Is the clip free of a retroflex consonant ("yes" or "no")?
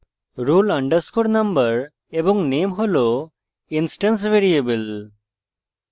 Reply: no